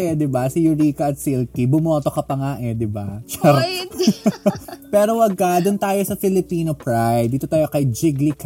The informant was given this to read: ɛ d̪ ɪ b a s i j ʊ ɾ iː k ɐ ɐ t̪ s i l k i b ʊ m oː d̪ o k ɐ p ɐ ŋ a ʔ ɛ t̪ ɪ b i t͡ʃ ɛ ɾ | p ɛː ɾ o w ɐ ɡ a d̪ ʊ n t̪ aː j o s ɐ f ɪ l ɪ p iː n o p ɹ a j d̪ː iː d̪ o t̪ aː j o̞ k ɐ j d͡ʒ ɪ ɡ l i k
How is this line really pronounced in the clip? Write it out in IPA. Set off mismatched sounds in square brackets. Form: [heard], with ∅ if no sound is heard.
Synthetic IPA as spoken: ɛ d̪ ɪ b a s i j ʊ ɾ iː k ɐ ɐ t̪ s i l k i b ʊ m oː [t̪] o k ɐ p ɐ ŋ a ʔ ɛ [d̪] ɪ b [a] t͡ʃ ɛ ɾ | p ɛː ɾ o w ɐ ɡ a d̪ ʊ n t̪ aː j o s ɐ f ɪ l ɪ p iː n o p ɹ a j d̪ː iː [t̪] o t̪ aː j o̞ k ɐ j d͡ʒ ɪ ɡ l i k